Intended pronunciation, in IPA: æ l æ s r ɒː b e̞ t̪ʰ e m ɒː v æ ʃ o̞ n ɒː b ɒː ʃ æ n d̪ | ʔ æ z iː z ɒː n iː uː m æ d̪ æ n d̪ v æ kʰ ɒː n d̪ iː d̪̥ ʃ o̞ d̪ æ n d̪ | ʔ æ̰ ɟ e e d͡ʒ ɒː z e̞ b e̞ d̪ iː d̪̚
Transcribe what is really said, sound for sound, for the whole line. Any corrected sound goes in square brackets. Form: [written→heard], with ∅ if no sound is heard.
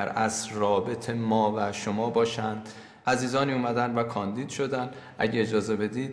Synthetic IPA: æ [l→ɾ] æ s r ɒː b e̞ t̪ʰ e m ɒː v æ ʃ o̞ [n→m] ɒː b ɒː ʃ æ n d̪ | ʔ æ z iː z ɒː n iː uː m æ d̪ æ n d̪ v æ kʰ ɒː n d̪ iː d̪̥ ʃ o̞ d̪ æ n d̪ | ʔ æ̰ ɟ e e d͡ʒ ɒː z e̞ b e̞ d̪ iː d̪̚